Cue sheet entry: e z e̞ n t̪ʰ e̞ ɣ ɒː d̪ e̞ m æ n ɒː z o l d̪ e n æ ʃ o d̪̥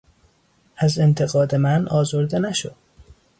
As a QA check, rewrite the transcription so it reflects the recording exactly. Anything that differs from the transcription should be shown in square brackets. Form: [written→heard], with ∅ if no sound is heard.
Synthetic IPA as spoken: [e→æ] z e̞ n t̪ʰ e̞ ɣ ɒː d̪ e̞ m æ n ɒː z o [l→ɾ] d̪ e n æ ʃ o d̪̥